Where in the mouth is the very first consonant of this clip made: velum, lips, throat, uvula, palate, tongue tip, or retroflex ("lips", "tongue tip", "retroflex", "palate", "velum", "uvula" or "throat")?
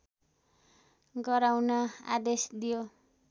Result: velum